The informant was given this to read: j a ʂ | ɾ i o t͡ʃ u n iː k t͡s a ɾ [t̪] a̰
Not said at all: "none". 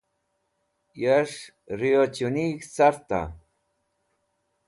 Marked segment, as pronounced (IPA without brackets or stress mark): t̪